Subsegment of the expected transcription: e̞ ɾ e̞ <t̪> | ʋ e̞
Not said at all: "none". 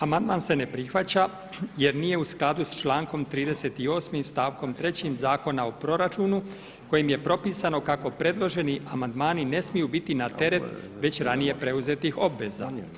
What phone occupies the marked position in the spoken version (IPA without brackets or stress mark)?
t̪